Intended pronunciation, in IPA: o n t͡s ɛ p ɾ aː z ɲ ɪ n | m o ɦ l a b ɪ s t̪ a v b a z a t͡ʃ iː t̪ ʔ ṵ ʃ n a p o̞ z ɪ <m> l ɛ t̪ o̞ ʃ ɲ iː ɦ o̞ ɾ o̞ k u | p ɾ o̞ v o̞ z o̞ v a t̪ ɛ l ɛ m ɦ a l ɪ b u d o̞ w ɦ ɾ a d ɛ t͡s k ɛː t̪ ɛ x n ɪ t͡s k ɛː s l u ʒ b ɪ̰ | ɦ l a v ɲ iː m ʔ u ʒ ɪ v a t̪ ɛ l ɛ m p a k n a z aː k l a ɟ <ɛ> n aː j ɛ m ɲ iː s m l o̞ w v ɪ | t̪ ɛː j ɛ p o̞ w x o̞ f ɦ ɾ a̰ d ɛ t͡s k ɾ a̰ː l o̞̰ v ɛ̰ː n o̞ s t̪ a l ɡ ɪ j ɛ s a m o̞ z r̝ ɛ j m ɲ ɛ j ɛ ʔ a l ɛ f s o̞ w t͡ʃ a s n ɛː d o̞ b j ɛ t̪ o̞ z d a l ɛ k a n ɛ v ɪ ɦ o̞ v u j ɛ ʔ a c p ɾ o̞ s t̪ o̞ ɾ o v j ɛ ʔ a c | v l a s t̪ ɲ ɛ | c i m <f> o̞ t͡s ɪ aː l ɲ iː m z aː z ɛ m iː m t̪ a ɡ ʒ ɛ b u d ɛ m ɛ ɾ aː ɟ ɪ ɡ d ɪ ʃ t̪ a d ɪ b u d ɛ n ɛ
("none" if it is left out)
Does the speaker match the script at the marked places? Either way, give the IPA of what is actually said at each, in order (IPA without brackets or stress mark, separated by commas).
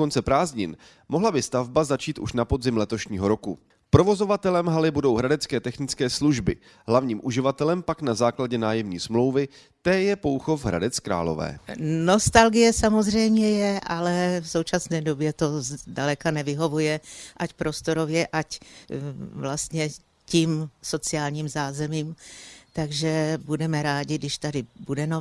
m, ɛ, s